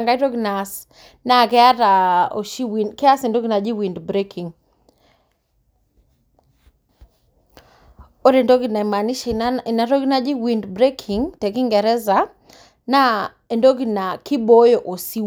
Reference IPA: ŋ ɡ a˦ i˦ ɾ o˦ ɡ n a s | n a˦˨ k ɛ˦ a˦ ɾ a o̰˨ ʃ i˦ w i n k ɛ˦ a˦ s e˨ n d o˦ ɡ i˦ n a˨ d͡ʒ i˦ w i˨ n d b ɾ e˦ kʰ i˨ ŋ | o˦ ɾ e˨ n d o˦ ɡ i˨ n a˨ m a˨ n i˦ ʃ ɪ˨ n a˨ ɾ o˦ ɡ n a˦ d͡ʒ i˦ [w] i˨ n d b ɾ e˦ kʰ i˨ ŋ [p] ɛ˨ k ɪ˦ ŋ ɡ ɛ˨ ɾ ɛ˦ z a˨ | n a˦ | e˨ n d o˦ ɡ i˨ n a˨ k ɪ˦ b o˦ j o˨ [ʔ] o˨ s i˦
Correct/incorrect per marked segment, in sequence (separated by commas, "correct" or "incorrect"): correct, incorrect, correct